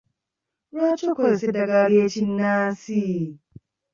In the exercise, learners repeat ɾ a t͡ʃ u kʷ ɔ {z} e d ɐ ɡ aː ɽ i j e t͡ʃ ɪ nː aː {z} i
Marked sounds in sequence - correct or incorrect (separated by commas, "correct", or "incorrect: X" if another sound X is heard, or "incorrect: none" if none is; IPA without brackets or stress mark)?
incorrect: s, incorrect: s